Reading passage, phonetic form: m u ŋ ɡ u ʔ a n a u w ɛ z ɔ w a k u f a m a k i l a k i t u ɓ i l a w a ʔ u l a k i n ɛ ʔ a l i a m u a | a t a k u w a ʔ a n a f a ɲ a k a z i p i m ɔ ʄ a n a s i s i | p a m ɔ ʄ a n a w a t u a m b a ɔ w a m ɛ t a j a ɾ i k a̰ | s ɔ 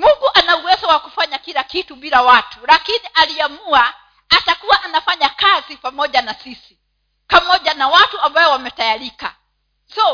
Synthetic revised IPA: m u ŋ ɡ u ʔ a n a u w ɛ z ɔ w a k u f a ɲ a k i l a k i t u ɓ i l a w a t u l a k i n i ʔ a l i a m u a | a t a k u w a ʔ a n a f a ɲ a k a z i p a m ɔ ʄ a n a s i s i | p a m ɔ ʄ a n a w a t u a m b a ɔ w a m ɛ t a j a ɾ i k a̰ | s ɔ